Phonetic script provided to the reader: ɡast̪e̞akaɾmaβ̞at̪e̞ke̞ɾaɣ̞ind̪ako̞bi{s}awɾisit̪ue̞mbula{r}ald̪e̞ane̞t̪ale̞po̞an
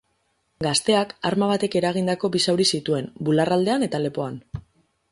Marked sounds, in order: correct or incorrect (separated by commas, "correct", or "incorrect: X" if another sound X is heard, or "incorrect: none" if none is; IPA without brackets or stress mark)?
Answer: correct, correct